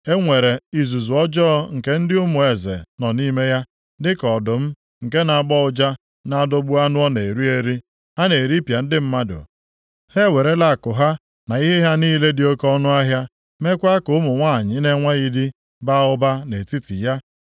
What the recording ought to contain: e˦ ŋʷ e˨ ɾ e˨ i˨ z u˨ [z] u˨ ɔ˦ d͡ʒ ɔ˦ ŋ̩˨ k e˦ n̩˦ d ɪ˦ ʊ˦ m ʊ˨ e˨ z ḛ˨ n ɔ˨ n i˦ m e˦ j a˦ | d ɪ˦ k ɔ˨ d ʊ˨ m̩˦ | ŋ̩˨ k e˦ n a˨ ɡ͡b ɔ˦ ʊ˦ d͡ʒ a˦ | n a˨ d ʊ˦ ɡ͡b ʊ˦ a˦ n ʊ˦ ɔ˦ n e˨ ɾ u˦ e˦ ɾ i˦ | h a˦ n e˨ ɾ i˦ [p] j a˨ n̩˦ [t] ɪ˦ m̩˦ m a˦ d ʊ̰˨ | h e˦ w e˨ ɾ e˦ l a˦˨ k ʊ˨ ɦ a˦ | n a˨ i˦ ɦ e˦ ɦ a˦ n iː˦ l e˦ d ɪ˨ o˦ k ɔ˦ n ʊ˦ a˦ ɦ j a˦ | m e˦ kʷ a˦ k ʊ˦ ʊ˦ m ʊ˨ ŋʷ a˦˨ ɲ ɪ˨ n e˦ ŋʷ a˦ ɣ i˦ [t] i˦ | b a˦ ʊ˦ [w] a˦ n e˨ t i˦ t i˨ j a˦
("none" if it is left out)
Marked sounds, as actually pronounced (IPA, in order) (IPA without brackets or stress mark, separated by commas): z, p, d, d, b